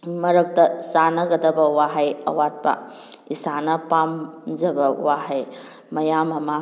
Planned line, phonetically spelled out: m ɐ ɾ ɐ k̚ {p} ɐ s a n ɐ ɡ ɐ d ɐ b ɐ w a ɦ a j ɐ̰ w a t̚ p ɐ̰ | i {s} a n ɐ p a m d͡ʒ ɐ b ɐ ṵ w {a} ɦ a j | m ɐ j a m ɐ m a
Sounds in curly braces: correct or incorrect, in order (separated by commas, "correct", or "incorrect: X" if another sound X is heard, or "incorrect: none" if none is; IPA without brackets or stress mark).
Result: incorrect: t, correct, correct